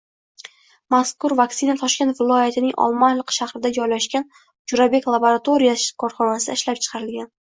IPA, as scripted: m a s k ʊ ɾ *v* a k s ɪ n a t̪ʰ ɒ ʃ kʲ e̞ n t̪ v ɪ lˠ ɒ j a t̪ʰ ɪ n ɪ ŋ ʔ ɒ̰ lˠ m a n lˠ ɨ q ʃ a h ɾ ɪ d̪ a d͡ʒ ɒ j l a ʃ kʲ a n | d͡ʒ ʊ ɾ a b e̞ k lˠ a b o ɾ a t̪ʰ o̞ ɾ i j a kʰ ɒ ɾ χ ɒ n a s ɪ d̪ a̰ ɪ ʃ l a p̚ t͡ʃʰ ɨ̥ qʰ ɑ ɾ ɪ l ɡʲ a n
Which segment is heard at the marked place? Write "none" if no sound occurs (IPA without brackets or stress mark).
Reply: v